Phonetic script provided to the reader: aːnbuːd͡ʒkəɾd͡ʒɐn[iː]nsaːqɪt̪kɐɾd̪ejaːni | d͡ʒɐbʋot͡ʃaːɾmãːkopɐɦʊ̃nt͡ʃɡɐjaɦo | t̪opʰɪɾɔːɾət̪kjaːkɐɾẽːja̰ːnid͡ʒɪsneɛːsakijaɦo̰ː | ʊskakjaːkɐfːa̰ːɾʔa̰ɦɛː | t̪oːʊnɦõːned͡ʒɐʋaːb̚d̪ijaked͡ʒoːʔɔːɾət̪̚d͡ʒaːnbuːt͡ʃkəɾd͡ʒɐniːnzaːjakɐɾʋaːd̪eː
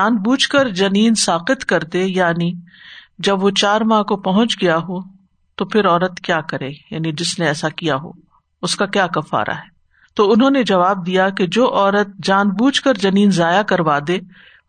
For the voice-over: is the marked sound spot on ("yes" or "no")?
yes